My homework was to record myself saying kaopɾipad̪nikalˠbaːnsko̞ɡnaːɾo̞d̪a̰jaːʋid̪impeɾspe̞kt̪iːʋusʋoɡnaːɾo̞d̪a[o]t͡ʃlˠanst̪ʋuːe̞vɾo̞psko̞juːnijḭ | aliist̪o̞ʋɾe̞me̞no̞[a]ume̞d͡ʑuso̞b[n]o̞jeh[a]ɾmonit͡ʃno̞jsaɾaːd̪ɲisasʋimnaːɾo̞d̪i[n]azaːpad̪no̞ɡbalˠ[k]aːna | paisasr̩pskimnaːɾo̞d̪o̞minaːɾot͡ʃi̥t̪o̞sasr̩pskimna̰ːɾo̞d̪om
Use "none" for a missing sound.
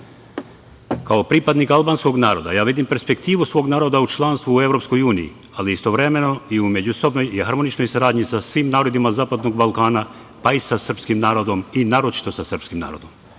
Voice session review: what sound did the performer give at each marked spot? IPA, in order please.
u, i, n, a, m, k

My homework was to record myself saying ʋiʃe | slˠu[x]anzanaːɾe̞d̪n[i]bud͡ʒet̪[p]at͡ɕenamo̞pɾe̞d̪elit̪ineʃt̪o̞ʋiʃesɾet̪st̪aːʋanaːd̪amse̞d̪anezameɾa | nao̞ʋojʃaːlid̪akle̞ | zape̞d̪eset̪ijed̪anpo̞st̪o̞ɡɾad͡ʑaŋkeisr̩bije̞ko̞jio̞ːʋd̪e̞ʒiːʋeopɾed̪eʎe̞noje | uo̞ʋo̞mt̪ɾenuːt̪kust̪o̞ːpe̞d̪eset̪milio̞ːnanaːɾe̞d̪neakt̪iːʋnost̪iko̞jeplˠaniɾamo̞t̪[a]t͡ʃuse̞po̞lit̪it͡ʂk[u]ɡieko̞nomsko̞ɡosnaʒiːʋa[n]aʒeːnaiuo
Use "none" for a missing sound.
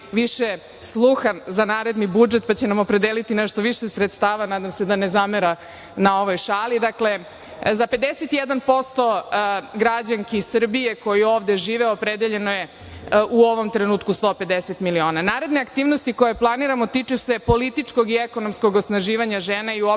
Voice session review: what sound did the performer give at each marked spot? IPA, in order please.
x, i, p, i, o, ɲ

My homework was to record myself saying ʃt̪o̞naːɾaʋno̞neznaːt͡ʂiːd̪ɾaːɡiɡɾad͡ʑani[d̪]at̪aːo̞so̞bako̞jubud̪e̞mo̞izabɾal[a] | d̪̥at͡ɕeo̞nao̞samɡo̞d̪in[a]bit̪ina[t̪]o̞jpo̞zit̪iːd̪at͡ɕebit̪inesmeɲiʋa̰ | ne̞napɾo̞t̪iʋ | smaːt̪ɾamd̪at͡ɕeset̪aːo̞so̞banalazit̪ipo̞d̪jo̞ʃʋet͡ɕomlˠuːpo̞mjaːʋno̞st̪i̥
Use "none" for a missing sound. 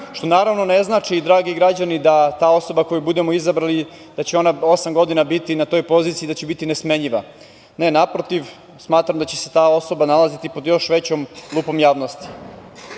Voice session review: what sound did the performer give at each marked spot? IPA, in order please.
d̪, i, a, t̪

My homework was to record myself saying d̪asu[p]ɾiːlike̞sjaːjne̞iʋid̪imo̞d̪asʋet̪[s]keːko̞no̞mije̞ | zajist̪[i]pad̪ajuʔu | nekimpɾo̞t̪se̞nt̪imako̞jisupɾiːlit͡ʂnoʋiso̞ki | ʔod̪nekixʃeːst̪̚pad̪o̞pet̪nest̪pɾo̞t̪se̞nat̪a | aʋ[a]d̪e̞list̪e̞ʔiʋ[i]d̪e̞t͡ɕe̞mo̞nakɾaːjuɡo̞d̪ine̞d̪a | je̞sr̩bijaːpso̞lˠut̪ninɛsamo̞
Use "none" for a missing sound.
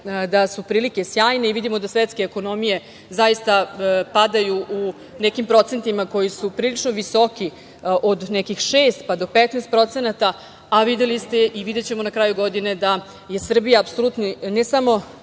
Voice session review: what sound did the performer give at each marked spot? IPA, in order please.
p, s, a, i, i

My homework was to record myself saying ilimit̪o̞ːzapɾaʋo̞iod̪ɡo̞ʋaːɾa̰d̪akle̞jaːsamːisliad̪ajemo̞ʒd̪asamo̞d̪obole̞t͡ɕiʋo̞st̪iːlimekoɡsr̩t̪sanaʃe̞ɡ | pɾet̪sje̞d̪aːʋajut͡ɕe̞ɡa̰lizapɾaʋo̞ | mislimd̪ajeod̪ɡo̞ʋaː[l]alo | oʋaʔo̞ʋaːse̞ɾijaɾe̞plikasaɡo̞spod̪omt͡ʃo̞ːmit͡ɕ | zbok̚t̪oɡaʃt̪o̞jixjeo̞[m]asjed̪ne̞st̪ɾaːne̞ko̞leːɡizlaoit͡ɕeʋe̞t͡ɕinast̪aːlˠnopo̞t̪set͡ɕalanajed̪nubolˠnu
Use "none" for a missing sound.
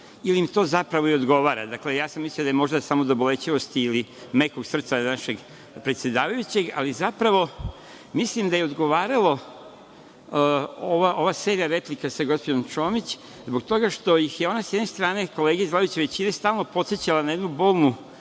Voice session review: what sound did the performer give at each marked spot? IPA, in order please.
ɾ, n

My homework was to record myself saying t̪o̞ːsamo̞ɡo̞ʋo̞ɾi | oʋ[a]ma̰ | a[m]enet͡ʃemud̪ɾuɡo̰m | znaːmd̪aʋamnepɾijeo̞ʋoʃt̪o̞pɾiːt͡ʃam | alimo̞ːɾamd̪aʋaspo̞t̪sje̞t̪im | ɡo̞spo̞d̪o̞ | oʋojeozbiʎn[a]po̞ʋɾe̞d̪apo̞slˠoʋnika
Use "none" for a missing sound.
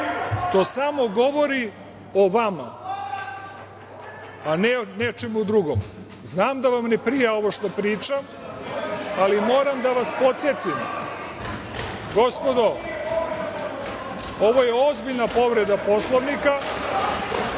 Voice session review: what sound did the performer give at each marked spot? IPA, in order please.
a, n, a

